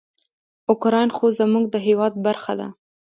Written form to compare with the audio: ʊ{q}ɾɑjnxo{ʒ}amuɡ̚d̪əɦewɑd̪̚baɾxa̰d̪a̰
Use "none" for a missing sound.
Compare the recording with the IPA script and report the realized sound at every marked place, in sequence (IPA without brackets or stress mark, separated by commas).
k, z